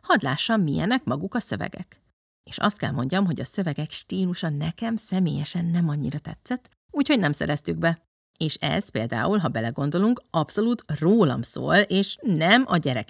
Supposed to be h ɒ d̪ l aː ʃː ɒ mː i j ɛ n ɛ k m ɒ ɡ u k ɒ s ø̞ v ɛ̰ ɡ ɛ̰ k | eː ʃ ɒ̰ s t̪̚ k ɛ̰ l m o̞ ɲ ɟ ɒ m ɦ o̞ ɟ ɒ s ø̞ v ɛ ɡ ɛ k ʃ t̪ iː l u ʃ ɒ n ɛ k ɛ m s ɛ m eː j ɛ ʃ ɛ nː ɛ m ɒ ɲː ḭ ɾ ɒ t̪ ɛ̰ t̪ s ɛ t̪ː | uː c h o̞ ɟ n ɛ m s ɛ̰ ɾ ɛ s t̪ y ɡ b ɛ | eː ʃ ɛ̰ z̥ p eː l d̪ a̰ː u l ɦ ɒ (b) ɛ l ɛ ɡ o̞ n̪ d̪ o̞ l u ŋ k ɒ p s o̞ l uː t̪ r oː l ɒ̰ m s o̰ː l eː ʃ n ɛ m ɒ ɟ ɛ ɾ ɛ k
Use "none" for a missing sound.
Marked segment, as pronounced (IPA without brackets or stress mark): b